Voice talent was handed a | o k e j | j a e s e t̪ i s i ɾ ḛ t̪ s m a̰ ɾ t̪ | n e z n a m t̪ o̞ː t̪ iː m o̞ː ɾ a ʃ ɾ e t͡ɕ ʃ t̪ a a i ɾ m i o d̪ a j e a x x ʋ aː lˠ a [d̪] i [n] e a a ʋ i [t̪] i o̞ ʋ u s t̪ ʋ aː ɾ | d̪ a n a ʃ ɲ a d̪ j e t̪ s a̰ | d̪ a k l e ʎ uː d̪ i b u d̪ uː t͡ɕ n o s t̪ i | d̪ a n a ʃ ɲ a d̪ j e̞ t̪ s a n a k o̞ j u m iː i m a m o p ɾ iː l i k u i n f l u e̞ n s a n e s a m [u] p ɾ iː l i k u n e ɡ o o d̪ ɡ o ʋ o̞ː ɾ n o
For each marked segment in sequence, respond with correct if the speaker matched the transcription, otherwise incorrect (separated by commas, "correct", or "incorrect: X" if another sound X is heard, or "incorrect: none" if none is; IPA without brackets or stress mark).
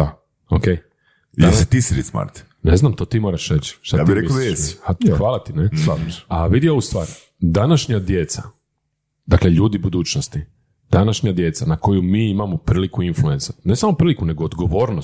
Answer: incorrect: t̪, correct, incorrect: d̪, incorrect: o